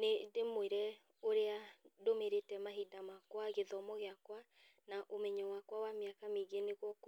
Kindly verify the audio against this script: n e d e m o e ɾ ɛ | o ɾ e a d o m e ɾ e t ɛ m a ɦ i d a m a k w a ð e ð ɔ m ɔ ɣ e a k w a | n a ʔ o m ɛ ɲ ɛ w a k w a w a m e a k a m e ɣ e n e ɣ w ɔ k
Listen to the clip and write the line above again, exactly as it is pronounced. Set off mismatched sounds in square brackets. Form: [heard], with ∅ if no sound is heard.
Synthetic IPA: n e d e m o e ɾ ɛ | o ɾ e a d o m e ɾ e t ɛ m a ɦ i d a m a k w a [ɣ] e ð ɔ m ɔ ɣ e a k w a | n a ʔ o m ɛ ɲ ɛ w a k w a w a m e a k a m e ɣ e n e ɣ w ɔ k